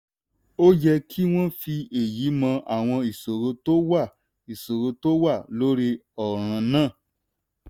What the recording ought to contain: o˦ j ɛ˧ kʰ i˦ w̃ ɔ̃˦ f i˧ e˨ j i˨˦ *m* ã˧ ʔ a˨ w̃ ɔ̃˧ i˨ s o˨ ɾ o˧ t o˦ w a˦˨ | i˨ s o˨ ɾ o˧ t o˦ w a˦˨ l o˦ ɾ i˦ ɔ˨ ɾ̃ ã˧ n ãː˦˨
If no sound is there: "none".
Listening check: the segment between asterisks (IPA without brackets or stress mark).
m